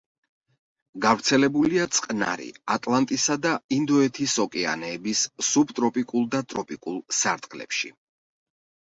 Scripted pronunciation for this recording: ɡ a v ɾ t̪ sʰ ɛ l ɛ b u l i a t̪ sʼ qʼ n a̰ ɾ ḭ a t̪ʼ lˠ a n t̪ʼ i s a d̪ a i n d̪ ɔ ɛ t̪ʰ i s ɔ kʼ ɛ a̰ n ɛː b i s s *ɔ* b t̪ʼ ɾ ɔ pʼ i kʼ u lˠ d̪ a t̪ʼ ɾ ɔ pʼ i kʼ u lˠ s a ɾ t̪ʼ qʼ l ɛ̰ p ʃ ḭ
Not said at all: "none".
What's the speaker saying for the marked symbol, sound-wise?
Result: u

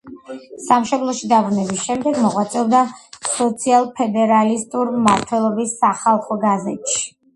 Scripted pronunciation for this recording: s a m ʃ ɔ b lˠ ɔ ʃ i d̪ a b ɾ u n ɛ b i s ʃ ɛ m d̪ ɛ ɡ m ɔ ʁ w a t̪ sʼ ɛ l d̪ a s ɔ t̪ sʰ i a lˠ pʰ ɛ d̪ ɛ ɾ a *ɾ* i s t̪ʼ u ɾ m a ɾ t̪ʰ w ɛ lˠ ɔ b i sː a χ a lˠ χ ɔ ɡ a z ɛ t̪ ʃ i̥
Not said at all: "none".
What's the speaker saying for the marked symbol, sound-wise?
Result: l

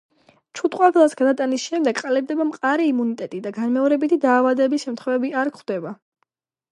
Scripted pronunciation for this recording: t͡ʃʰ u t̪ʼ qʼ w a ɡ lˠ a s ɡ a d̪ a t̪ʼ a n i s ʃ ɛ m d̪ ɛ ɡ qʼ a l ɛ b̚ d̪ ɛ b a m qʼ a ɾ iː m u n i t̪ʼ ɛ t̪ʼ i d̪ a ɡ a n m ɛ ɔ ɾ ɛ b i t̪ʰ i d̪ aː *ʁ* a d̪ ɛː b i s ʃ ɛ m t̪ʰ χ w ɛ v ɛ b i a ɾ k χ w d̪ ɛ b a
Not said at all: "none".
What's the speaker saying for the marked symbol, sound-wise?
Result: v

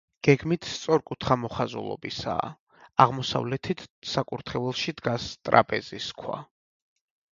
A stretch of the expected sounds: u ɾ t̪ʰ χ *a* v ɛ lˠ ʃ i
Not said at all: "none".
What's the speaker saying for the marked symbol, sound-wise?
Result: ɛ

